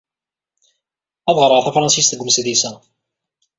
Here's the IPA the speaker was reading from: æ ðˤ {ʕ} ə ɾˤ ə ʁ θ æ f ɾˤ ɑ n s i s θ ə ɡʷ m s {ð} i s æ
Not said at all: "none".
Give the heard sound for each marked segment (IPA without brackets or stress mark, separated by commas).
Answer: ʁ, ð